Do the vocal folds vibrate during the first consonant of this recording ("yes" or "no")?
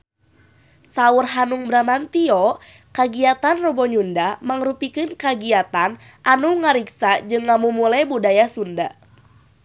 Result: no